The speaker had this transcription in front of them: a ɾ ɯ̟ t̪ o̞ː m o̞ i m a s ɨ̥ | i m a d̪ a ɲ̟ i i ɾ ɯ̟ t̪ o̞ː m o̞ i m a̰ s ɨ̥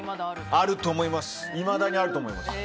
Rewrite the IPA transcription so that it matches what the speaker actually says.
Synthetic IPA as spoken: a ɾ ɯ̟ t̪ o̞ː m o̞ i m a s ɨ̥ | i m a d̪ a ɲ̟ i a ɾ ɯ̟ t̪ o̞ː m o̞ i m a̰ s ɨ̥